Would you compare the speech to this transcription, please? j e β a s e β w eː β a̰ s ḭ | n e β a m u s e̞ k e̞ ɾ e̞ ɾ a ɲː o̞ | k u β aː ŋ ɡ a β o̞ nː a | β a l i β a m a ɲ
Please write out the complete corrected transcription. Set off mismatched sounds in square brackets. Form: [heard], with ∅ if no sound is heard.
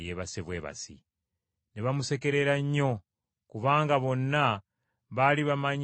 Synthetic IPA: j e β a s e β w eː β a̰ s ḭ | n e β a m u s e̞ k e̞ ɾ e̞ ɾ a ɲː o̞ | k u β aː ŋ ɡ a β o̞ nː a | β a l i β a m a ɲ